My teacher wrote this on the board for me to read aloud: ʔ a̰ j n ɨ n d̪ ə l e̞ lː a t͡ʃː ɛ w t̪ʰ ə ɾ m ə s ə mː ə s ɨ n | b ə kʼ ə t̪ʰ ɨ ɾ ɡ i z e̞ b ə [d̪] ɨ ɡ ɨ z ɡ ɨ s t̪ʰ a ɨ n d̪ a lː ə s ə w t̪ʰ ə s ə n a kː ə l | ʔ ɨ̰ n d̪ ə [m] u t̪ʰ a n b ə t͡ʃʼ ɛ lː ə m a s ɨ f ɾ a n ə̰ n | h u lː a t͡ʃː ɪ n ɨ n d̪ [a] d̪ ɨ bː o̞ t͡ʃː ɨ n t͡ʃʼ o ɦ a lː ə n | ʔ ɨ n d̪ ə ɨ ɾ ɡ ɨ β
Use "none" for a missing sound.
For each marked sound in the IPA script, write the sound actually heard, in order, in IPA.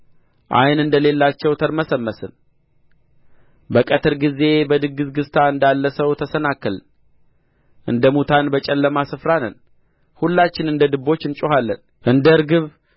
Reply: d̪, m, ə

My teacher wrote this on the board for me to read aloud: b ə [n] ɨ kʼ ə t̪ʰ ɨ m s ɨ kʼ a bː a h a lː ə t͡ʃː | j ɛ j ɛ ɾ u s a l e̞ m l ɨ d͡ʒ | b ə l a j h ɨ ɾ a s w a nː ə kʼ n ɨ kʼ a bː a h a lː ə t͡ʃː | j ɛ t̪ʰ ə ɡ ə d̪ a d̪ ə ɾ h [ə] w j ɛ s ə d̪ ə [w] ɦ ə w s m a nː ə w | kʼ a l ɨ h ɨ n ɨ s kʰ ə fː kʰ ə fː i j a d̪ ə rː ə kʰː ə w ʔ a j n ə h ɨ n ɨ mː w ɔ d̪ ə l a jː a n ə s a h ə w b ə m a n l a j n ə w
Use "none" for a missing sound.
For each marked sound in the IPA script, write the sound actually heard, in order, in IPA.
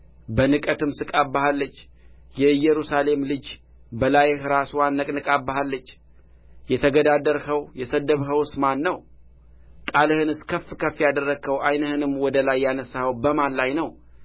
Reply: n, ə, β

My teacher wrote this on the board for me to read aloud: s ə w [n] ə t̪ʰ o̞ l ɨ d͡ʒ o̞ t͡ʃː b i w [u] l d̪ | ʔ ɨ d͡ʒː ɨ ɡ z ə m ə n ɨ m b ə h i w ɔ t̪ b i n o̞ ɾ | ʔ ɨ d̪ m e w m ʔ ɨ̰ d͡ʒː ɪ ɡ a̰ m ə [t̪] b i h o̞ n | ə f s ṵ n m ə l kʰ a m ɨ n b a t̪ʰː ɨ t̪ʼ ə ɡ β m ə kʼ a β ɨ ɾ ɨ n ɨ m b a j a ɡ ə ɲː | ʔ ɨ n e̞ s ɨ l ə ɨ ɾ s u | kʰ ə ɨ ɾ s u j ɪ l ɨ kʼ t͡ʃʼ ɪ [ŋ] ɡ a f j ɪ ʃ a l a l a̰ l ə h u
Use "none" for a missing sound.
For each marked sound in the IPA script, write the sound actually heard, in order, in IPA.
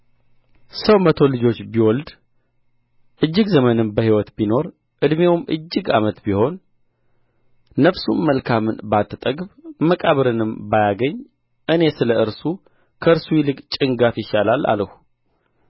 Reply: m, ɔ, t̪, ŋ

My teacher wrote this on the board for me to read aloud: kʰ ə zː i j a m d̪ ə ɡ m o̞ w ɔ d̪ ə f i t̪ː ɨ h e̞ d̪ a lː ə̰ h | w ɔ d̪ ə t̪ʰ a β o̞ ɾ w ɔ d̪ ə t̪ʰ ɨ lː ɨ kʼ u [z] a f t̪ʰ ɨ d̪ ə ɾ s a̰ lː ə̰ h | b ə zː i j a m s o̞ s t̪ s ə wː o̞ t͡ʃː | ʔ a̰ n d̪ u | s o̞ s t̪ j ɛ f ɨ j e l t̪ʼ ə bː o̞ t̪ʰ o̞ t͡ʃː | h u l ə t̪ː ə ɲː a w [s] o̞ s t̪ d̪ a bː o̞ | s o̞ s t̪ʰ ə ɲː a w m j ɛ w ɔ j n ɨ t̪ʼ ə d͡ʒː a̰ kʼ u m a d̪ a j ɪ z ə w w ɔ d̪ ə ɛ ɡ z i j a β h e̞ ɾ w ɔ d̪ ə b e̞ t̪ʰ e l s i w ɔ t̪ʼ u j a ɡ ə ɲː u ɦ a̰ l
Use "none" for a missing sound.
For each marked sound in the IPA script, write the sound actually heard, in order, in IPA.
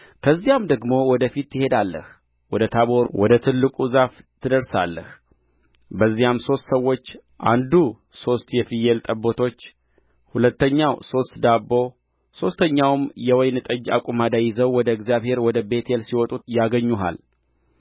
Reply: z, s

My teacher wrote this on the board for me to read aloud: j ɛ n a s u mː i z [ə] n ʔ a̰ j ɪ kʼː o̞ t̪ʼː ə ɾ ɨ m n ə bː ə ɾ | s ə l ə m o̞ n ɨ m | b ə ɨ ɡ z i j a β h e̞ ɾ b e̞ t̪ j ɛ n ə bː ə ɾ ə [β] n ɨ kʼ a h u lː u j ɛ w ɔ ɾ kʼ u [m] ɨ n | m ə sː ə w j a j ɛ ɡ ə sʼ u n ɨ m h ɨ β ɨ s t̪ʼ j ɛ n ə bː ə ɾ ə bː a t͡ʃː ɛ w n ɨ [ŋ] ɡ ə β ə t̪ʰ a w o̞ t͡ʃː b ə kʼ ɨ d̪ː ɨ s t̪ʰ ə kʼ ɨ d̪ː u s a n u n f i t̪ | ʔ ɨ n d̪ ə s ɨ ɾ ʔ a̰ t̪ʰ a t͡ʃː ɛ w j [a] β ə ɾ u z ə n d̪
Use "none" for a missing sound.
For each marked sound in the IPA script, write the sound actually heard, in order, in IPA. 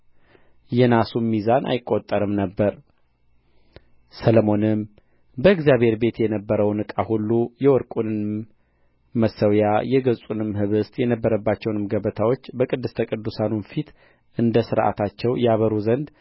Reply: a, w, n, m, a

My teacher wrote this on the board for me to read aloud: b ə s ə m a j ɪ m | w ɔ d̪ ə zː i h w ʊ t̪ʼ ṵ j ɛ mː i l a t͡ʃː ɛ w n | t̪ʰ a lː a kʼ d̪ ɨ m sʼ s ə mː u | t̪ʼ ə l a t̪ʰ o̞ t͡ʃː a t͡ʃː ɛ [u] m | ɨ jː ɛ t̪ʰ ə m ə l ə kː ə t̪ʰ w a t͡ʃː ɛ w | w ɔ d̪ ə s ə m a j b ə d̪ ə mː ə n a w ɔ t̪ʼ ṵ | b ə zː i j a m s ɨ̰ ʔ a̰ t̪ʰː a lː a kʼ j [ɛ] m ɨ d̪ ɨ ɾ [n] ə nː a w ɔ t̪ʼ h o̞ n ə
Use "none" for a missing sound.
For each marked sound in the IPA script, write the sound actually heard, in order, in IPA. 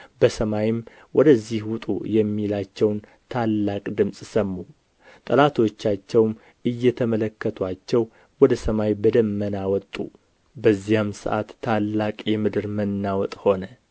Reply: w, ɛ, m

